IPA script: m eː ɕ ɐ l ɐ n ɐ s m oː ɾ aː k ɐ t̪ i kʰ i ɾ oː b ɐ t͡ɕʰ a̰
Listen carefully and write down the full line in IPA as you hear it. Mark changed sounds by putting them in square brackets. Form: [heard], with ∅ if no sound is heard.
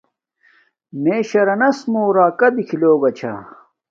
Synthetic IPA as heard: m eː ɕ ɐ [ɾ] ɐ n ɐ s m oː ɾ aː k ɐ [d̪] i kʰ i [l] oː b ɐ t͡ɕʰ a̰